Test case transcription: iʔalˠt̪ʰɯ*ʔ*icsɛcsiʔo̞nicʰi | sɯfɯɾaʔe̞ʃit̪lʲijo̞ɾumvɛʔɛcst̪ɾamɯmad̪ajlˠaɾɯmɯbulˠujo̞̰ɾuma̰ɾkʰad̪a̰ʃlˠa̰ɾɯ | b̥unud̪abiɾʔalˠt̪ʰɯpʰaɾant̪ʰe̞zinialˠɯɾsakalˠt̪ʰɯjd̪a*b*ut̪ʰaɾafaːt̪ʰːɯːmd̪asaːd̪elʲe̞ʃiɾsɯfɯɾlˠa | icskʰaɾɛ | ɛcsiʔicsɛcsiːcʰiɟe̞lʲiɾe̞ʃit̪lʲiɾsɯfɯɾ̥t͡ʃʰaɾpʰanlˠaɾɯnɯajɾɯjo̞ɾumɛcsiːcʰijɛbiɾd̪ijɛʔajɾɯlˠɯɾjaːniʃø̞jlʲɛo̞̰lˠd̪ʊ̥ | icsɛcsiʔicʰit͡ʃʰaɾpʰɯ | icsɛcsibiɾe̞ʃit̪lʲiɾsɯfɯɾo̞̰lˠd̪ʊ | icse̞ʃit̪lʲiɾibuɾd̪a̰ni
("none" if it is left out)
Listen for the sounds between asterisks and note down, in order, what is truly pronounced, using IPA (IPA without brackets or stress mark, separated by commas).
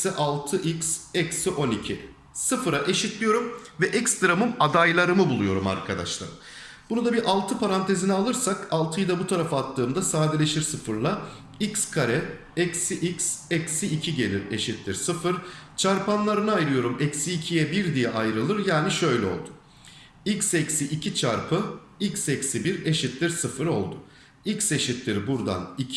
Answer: ʔ, b